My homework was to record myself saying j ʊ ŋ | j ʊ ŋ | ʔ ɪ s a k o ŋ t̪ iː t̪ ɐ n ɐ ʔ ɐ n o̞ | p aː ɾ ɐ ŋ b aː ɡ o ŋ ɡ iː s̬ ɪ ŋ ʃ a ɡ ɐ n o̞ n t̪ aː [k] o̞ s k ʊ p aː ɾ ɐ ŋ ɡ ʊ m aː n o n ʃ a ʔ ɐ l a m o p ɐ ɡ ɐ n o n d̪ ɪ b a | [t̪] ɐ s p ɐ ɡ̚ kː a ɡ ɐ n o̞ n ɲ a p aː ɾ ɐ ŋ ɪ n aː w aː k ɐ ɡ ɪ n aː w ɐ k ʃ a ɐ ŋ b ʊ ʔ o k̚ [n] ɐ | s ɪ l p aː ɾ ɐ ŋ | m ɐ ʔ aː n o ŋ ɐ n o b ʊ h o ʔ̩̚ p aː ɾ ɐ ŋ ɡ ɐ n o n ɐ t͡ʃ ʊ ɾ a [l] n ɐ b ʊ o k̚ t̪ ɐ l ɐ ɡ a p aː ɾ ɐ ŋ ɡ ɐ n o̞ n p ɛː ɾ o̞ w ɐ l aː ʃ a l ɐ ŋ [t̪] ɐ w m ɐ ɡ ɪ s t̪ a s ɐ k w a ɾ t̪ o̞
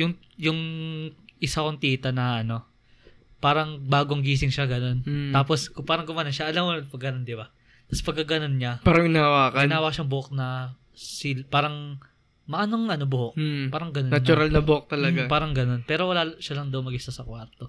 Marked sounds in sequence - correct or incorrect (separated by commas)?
incorrect, correct, correct, correct, incorrect